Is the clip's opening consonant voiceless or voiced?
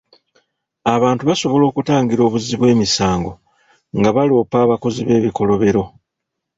voiced